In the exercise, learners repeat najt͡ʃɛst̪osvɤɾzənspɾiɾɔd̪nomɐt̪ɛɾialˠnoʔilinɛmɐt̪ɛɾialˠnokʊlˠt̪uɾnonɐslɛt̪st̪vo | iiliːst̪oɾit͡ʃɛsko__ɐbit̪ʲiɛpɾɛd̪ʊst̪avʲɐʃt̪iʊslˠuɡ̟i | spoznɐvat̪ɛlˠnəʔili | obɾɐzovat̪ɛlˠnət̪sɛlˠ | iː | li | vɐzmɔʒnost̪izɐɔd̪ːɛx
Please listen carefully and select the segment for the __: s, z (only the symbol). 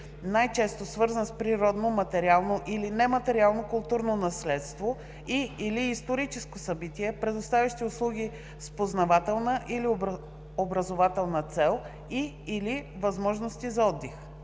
s